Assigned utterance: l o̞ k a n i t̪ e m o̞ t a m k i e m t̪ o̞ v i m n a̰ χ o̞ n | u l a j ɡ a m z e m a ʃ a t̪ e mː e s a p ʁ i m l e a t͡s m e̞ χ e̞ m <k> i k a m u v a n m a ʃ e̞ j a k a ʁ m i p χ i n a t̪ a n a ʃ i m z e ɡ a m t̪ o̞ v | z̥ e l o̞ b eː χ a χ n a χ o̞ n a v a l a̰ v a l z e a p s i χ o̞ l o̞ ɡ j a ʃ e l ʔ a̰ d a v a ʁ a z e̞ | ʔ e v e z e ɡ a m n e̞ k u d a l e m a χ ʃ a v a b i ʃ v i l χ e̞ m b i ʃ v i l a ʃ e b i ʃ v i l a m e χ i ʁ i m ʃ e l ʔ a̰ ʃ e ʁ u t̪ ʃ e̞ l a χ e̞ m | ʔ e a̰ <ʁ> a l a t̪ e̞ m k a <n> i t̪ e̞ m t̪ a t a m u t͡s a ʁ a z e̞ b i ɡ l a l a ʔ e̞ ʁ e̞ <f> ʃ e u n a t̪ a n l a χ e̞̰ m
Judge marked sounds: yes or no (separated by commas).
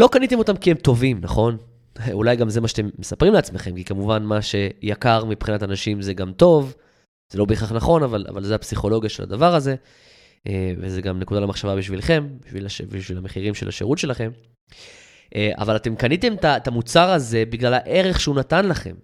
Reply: yes, no, yes, no